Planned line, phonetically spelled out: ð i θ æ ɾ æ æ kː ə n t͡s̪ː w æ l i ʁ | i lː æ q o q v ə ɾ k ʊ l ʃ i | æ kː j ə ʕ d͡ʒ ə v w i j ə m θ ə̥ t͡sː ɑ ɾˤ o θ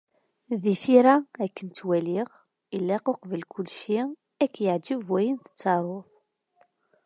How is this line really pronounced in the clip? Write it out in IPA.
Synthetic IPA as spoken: ð i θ i ɾ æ æ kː ə n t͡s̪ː w æ l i ʁ | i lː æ q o q v ə l k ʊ l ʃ i | æ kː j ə ʕ d͡ʒ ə v w æ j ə n θ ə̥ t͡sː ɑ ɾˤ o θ